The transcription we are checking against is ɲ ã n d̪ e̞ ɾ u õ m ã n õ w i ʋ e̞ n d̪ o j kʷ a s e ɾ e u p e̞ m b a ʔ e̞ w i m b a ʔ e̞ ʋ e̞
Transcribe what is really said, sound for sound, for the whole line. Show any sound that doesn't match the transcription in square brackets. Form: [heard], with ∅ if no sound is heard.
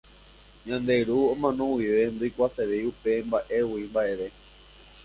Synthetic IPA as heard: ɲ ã n d̪ e̞ ɾ u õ m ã n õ w i ʋ e̞ n d̪ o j kʷ a s e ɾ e u p e̞ m b a ʔ e̞ w i m b a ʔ e̞ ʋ e̞